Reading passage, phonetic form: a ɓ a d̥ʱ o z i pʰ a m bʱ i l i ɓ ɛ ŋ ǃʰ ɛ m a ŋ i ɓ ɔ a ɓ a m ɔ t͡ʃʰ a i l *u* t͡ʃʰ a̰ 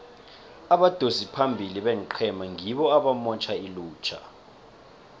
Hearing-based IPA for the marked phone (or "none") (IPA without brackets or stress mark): uː